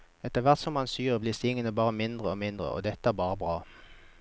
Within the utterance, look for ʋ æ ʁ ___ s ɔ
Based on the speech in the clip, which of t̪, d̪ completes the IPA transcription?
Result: t̪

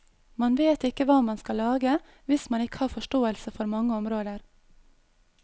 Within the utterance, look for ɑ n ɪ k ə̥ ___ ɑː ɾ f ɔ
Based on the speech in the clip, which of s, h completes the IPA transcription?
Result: h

